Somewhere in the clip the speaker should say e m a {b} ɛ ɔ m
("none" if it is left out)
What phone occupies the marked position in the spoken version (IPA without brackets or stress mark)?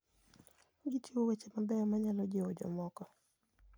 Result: b